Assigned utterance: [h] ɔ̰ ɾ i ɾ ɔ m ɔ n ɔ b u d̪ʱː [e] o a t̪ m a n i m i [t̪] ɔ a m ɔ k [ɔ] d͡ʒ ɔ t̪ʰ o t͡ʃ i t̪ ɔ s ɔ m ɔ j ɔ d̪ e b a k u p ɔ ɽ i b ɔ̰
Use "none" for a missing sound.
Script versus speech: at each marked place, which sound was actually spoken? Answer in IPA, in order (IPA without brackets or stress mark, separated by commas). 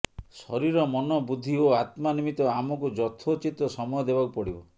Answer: s, i, t̪, u